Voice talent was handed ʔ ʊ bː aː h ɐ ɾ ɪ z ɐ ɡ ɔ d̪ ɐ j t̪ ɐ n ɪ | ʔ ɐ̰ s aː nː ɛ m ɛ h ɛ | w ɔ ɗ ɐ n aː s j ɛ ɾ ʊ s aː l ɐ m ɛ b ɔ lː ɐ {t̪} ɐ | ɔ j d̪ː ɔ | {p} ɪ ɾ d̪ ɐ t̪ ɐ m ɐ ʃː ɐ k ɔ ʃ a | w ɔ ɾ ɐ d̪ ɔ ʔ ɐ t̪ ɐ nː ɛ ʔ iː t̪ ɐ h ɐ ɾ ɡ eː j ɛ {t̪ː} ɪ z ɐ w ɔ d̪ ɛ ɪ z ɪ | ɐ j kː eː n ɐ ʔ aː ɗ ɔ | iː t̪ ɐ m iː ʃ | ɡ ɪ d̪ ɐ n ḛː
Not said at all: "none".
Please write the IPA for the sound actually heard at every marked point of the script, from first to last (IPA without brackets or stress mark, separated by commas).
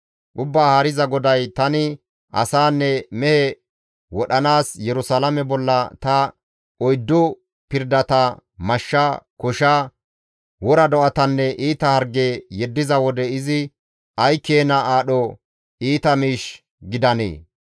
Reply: t̪, p, d̪ː